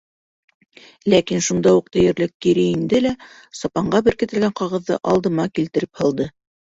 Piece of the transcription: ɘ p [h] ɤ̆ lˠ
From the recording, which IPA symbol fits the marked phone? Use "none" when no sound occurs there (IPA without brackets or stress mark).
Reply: h